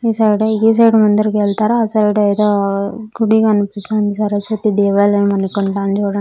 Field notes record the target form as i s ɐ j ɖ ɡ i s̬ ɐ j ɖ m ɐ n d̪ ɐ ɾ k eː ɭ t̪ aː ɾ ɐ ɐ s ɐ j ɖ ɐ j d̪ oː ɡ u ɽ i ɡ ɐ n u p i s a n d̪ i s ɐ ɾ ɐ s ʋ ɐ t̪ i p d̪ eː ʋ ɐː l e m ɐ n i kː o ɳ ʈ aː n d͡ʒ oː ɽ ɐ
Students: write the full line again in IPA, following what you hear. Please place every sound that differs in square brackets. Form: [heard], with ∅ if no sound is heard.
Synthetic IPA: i s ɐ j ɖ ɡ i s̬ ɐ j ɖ m ɐ n d̪ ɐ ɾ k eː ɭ t̪ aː ɾ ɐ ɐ s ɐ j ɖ ɐ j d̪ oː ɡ u ɽ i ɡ ɐ n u p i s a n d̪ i s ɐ ɾ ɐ s ʋ ɐ t̪ i [∅] d̪ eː ʋ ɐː l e m ɐ n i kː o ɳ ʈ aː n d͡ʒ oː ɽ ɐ